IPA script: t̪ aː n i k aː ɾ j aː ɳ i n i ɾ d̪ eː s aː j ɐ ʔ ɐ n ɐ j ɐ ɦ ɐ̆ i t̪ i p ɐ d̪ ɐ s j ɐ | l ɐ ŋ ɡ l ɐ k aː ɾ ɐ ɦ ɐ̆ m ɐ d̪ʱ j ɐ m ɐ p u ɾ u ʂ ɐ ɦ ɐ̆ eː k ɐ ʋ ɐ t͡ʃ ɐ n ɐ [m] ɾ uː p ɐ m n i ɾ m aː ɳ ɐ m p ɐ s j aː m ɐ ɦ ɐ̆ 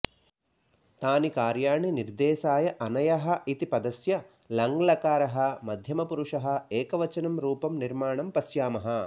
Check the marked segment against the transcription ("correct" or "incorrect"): correct